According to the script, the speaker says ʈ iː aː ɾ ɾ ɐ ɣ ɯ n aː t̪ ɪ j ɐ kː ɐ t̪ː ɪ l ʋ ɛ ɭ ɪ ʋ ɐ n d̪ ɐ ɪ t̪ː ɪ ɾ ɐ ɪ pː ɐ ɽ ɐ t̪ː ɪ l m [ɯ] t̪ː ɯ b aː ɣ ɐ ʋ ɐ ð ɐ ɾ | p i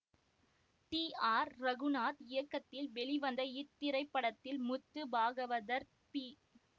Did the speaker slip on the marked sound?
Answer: yes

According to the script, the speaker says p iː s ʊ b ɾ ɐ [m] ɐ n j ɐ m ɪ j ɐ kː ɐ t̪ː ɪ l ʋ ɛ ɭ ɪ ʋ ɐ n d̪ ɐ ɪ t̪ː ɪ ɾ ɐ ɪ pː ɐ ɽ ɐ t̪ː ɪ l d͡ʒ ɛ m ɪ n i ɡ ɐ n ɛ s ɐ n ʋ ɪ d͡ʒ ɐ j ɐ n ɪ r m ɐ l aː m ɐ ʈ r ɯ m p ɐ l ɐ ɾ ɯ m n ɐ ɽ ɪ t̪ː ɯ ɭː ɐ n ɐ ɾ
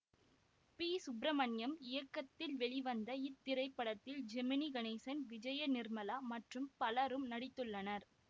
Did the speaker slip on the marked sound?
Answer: no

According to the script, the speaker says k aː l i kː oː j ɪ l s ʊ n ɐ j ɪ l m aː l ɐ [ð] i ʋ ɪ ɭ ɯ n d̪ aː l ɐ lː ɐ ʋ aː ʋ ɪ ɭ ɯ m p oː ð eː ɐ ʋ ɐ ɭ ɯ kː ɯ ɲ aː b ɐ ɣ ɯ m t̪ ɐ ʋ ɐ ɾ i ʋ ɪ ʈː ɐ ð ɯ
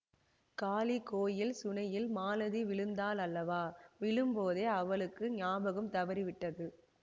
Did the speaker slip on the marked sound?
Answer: no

